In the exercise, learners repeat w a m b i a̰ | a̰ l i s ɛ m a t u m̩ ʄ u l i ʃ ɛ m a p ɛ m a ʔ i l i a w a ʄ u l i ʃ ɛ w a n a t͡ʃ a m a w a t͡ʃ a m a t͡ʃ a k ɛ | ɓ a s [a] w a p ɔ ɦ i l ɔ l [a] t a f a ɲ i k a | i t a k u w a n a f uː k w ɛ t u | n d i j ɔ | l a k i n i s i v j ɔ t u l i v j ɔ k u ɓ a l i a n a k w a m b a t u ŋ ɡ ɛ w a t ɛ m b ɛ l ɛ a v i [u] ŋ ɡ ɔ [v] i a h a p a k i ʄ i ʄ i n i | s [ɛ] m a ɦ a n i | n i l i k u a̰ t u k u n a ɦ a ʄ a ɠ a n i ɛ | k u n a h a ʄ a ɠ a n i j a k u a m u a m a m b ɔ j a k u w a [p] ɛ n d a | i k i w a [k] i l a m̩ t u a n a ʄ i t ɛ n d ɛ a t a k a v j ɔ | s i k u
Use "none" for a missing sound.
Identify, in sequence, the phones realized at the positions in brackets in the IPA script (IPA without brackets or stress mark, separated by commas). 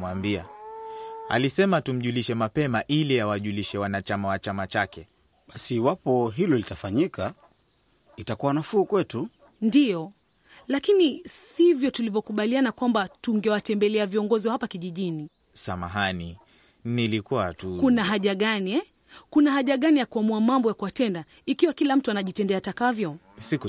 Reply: i, i, ɔ, z, a, t, k